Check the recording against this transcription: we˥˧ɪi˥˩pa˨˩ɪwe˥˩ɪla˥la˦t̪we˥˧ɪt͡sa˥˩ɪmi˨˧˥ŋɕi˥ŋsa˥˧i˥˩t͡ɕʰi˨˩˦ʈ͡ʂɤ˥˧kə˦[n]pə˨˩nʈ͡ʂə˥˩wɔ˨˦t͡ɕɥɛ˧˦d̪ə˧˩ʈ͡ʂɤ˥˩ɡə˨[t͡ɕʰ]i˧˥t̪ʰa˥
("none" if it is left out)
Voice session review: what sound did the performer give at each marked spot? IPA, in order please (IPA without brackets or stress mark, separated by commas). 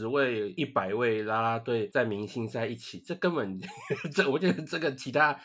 n, t͡ɕʰ